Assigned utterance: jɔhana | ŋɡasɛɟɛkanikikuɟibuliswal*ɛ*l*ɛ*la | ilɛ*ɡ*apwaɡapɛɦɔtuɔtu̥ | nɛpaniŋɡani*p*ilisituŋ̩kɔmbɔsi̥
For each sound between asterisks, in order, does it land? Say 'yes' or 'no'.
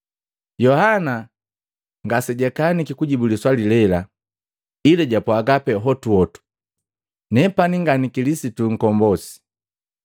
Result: no, yes, no, no

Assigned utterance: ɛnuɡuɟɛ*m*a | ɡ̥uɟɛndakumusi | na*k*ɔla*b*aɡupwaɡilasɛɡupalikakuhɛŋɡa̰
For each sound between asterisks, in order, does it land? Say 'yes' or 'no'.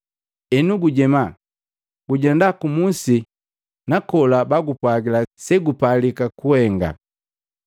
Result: yes, yes, yes

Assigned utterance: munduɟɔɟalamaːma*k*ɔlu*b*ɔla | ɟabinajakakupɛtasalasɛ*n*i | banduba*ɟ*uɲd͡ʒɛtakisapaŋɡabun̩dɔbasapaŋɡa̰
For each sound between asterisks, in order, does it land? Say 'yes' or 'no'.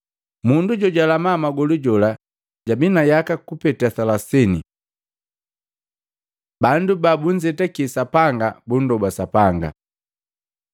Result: no, no, yes, no

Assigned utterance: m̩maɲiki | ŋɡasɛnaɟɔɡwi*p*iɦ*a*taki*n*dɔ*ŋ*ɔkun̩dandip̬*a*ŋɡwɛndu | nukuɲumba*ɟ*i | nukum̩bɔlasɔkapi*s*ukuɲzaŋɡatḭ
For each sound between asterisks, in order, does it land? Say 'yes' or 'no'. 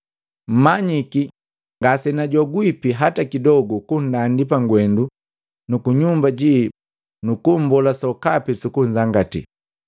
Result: yes, yes, no, no, yes, yes, yes

